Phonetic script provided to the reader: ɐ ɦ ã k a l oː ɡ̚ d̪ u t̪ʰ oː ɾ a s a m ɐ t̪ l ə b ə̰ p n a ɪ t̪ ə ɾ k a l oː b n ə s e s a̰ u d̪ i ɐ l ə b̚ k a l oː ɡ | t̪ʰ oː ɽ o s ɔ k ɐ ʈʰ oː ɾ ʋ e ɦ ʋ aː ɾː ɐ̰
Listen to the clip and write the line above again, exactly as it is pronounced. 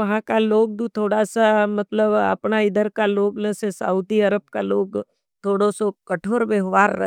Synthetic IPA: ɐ ɦ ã k a l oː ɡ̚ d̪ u t̪ʰ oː ɽ a s a m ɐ t̪ l ə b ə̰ p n a ɪ d̪ ə ɾ k a l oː ɡ n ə s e s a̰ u d̪ i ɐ ɾ ə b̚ k a l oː ɡ | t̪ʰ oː ɽ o s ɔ k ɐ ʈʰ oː ɾ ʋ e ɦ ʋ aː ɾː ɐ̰